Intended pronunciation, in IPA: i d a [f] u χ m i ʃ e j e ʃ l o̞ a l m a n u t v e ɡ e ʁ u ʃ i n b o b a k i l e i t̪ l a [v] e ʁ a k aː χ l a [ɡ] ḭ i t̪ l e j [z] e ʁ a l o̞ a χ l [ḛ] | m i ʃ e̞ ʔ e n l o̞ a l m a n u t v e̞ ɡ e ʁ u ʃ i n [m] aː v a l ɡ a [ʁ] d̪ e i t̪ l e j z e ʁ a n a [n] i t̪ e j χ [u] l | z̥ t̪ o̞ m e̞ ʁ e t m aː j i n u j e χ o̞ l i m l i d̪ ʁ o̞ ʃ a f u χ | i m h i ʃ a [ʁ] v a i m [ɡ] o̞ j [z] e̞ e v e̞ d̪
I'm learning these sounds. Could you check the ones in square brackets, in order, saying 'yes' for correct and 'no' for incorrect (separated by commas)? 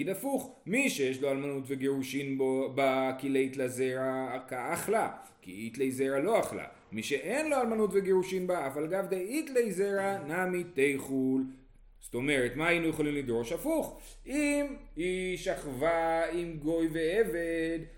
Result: yes, no, no, yes, no, no, no, no, yes, no, yes, no